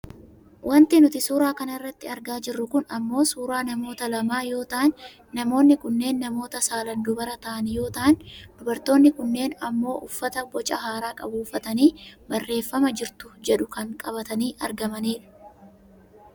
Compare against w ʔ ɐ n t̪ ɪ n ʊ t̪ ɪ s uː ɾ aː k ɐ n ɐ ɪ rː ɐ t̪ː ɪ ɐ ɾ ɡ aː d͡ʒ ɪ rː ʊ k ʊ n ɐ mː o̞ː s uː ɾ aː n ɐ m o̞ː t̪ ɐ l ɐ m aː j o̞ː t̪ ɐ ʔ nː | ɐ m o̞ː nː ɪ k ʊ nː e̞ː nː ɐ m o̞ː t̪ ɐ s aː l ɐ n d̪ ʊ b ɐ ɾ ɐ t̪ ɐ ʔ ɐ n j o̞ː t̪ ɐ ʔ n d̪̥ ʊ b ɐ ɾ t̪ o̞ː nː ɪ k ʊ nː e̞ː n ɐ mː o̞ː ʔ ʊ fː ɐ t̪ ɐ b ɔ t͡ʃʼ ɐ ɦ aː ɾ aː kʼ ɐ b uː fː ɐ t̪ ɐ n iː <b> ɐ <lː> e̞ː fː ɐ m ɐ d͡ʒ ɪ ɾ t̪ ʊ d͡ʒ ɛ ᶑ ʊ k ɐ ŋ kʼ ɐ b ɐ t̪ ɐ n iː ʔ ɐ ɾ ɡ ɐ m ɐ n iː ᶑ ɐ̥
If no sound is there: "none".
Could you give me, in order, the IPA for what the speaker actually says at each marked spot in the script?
b, rː

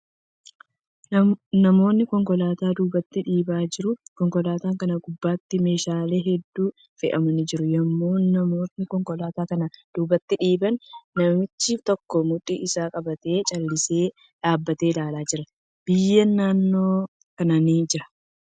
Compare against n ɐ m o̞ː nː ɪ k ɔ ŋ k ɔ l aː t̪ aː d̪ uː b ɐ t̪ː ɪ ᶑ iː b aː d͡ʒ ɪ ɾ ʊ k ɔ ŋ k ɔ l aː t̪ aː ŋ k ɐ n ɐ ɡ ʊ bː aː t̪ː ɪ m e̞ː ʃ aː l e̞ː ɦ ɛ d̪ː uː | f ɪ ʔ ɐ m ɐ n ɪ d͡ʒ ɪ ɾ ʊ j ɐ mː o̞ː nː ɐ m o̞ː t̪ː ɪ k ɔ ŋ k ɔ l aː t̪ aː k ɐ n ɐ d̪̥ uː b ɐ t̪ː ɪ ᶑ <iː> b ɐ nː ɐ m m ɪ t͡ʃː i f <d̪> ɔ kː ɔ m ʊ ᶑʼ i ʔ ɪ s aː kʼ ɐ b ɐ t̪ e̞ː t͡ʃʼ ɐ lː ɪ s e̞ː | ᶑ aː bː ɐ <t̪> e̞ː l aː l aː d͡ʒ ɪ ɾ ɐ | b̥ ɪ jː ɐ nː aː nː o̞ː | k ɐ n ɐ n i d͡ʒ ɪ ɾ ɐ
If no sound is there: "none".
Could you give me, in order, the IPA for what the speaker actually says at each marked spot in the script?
iː, t̪, t̪

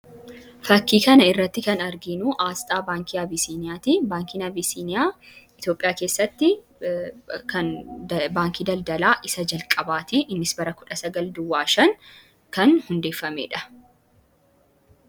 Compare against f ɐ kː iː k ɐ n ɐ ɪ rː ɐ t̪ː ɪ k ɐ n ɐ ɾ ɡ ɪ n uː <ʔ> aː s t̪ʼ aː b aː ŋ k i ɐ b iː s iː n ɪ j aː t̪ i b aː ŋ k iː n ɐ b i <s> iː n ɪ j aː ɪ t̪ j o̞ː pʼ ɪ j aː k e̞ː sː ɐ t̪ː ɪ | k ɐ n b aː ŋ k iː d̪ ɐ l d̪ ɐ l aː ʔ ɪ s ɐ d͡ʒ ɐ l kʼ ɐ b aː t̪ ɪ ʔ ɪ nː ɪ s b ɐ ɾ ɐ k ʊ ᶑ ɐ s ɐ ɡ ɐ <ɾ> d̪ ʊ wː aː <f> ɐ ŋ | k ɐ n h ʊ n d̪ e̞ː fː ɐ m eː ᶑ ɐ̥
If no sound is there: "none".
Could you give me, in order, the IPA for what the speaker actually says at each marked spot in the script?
ʔ, s, l, ʃ

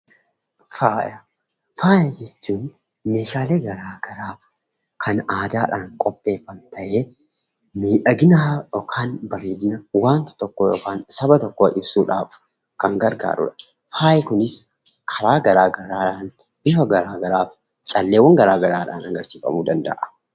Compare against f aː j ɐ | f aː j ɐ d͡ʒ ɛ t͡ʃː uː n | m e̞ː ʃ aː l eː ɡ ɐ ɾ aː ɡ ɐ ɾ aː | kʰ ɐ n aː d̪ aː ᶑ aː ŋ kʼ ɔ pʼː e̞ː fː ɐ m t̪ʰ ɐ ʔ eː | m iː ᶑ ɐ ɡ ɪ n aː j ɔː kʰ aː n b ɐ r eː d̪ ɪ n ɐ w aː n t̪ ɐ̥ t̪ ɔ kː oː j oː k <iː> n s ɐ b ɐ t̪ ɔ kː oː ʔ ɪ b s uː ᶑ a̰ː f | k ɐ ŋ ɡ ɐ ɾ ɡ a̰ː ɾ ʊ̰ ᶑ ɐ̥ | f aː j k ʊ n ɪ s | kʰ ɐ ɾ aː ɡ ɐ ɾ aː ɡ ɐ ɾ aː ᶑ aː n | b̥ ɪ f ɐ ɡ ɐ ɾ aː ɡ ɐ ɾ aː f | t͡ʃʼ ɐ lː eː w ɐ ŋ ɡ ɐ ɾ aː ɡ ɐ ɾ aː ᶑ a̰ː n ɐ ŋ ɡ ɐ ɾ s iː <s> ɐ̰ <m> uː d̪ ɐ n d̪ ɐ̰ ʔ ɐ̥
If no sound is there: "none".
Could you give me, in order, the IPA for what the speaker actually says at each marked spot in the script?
aː, f, m

